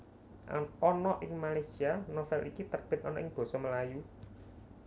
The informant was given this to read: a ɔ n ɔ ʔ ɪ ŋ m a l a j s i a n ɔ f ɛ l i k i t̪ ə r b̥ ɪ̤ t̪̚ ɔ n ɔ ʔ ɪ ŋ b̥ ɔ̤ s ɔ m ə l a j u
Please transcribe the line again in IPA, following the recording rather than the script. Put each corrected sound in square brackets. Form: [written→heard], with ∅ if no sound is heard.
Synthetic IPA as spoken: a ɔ n ɔ ʔ ɪ ŋ m a l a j s i a n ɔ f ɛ l i k i t̪ ə r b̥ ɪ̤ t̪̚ ɔ n ɔ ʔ ɪ ŋ b̥ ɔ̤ s ɔ m ə l a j u